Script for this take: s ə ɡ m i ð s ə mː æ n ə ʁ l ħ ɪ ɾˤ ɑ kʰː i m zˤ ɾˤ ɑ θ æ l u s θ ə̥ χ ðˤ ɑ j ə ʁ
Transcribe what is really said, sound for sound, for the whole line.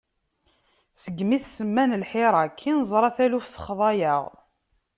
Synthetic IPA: s ə ɡ m i θ s ə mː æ n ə l ħ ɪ ɾˤ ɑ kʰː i n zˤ ɾˤ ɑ θ æ l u f θ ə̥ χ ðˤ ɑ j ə ʁ